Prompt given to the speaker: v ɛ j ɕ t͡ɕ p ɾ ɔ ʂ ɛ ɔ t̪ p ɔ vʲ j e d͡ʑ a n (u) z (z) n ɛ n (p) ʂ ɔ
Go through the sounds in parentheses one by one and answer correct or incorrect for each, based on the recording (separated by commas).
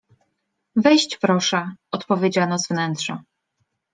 incorrect, incorrect, incorrect